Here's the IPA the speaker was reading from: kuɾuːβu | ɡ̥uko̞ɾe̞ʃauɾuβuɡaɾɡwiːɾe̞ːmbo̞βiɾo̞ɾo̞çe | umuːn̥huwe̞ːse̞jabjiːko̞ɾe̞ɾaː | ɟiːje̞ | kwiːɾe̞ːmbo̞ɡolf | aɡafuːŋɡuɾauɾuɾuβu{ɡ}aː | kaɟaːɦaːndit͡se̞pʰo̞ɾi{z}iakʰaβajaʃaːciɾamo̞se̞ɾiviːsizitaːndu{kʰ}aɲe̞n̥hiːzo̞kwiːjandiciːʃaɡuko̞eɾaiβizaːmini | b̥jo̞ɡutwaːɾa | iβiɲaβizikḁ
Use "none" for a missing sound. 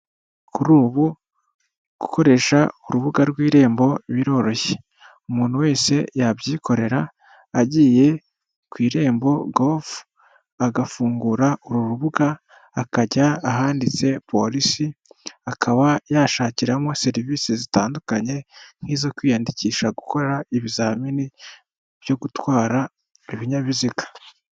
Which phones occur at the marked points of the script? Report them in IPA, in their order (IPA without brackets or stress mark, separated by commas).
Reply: ɡ, s, k